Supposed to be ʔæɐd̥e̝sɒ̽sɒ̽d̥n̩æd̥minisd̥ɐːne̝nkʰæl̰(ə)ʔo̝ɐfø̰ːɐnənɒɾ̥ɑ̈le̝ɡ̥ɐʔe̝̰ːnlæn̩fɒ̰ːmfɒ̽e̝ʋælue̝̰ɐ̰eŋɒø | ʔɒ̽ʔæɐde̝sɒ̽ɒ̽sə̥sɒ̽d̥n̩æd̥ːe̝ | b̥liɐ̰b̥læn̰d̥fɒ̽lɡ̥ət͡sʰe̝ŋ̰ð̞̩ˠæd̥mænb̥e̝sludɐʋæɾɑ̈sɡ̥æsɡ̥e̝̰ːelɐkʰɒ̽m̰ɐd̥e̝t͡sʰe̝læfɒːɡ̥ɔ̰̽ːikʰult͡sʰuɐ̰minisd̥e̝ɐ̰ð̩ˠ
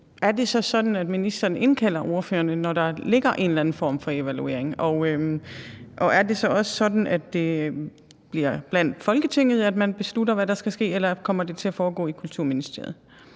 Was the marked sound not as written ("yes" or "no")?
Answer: yes